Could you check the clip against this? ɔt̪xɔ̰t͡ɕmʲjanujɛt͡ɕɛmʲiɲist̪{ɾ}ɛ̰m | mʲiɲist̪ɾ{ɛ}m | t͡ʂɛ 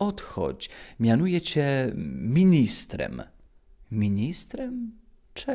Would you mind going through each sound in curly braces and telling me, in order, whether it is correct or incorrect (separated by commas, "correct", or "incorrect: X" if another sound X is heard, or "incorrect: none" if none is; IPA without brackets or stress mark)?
correct, correct